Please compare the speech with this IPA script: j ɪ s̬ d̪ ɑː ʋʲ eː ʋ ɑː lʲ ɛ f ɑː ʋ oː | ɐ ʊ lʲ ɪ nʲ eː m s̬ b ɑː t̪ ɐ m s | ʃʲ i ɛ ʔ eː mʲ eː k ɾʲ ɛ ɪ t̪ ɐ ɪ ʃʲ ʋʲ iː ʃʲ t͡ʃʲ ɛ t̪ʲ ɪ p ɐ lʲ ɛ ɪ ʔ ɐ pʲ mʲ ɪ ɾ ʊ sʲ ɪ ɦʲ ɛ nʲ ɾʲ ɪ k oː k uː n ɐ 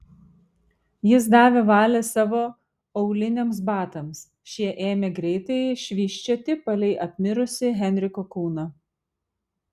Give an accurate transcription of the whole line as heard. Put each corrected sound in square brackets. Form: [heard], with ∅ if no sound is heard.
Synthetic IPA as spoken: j ɪ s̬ d̪ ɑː ʋʲ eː ʋ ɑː lʲ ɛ [s] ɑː ʋ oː | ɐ ʊ lʲ ɪ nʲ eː m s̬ b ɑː t̪ ɐ m s | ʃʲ i ɛ ʔ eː mʲ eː [ɡ] ɾʲ ɛ ɪ t̪ ɐ ɪ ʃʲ ʋʲ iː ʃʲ t͡ʃʲ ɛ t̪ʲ ɪ p ɐ lʲ ɛ ɪ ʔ ɐ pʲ mʲ ɪ ɾ ʊ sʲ ɪ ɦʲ ɛ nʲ ɾʲ ɪ k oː k uː n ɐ